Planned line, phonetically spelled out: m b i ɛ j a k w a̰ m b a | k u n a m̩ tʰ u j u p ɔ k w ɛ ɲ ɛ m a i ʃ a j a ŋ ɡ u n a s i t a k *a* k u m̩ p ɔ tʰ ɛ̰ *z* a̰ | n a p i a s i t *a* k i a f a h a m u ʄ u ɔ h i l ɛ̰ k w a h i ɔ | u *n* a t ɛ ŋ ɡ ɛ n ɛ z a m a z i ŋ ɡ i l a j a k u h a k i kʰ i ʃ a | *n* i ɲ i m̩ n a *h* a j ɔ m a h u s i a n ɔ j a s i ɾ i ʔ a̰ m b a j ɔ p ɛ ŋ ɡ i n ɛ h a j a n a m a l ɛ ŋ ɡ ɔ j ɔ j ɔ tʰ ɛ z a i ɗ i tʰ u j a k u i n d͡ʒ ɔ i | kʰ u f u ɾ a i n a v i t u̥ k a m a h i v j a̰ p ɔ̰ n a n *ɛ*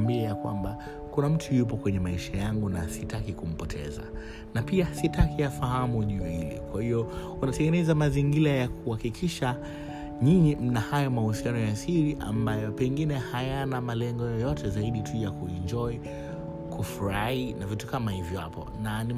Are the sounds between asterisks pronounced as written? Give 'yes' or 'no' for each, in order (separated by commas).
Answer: no, yes, yes, yes, no, yes, no